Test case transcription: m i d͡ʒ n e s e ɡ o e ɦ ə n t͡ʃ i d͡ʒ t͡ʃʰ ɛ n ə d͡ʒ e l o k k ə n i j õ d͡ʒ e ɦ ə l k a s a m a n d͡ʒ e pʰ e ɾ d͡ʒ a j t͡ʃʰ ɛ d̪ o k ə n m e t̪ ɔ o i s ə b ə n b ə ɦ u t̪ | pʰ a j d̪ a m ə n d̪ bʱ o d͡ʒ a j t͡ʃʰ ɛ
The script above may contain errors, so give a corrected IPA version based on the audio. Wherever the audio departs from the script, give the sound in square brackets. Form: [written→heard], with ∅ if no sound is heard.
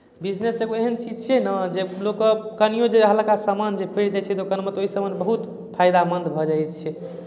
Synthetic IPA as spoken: [m→b] i d͡ʒ n e s e ɡ o e ɦ ə n t͡ʃ i d͡ʒ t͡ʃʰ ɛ n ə d͡ʒ e l o k k ə n i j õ d͡ʒ e ɦ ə l k a s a m a n d͡ʒ e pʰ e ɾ d͡ʒ a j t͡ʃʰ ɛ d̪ o k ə n m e t̪ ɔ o i s ə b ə n b ə ɦ u t̪ | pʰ a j d̪ a m ə n d̪ bʱ [o→ɔ] d͡ʒ a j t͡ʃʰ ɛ